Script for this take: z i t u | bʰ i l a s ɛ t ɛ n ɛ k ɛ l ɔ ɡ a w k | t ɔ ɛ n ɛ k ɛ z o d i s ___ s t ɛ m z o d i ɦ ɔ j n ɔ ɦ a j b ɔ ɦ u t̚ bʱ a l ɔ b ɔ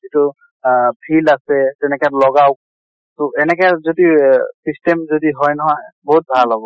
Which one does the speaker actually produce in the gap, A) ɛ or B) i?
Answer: B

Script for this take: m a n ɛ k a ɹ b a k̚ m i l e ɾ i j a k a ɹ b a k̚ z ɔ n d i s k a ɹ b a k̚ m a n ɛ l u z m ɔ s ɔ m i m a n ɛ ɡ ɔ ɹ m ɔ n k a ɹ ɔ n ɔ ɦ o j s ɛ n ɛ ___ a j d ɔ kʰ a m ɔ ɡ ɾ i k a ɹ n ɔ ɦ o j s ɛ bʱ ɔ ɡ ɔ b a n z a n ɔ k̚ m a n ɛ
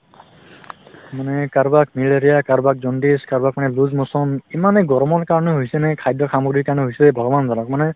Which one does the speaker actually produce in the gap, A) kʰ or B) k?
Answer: A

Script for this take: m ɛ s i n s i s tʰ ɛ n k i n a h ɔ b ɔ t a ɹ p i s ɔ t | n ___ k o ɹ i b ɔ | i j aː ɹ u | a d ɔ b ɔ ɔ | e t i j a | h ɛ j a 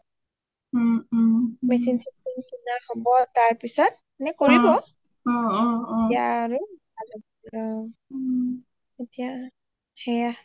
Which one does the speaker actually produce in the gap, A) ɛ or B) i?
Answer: A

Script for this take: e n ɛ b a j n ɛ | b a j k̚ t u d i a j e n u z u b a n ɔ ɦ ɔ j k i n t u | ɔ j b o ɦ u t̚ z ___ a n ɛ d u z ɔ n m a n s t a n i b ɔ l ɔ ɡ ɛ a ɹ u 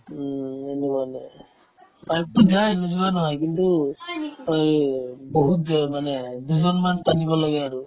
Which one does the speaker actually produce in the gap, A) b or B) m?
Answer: B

